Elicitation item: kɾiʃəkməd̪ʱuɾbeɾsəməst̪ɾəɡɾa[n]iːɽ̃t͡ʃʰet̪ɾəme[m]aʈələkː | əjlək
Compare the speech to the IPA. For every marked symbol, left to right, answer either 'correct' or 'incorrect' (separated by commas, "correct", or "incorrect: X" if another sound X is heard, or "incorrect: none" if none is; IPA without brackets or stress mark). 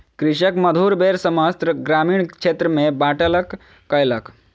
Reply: incorrect: m, incorrect: b